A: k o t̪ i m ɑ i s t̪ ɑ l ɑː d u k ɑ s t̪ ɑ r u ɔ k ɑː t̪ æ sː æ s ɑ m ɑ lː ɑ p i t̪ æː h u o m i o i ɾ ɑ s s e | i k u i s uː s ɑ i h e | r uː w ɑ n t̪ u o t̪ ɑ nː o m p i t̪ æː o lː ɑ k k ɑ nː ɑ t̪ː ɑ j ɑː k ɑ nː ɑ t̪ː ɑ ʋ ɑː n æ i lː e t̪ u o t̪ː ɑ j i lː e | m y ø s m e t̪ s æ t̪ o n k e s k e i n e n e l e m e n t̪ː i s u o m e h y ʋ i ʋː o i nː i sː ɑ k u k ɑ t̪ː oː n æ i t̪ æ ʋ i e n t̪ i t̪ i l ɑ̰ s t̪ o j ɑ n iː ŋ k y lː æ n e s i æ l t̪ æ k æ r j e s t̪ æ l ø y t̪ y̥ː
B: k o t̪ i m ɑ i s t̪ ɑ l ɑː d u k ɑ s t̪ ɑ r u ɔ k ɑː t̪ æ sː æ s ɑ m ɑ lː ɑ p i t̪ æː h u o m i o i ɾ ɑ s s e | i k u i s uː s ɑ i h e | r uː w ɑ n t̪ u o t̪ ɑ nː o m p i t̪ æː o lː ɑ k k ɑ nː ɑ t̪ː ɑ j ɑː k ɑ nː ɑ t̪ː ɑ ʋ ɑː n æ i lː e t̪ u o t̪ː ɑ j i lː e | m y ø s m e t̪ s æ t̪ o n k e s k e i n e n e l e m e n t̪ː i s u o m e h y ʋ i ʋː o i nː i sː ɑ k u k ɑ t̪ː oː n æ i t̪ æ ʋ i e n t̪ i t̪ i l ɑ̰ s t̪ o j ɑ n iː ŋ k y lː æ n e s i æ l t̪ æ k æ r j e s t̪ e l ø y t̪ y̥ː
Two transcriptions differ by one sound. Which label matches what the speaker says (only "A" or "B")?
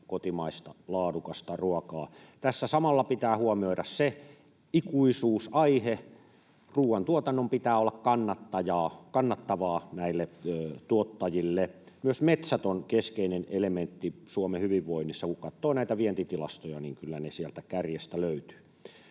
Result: A